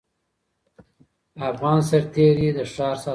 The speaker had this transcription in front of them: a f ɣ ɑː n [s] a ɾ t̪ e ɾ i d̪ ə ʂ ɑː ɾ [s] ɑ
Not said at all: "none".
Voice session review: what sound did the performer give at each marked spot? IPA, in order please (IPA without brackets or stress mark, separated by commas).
s, s